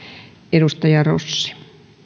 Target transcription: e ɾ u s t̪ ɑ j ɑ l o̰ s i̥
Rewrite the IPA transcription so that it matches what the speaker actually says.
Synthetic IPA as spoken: e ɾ u s t̪ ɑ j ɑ r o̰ sː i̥